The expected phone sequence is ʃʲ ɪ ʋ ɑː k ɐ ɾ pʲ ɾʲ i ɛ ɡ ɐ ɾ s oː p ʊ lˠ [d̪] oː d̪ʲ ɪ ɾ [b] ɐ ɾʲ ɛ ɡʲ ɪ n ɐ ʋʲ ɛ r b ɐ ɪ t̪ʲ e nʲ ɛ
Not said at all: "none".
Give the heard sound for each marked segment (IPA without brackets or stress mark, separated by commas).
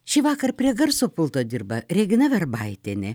t̪, b